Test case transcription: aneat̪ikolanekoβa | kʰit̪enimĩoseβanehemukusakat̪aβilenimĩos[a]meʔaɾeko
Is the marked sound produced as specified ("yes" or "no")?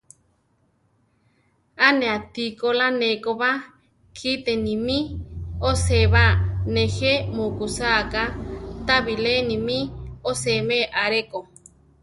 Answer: no